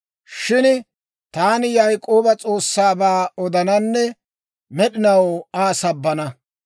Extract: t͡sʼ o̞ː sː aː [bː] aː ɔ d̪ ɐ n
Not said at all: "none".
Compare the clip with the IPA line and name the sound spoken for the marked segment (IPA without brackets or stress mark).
b